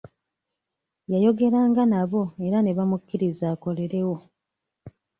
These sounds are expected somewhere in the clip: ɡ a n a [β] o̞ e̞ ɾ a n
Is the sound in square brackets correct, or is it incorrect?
correct